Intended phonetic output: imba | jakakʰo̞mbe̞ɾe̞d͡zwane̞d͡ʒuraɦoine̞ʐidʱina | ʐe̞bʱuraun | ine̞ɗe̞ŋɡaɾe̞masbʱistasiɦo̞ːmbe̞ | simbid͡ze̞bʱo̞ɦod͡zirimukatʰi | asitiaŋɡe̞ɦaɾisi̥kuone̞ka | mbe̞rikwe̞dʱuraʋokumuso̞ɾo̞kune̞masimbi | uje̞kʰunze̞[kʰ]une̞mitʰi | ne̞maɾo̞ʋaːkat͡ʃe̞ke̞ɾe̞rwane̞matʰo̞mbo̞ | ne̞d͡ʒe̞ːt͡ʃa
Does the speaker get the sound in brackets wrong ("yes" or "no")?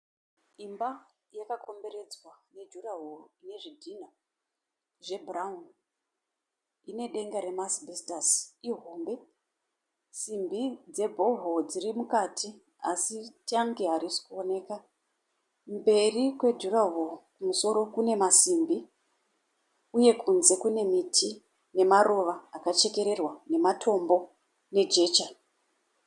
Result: yes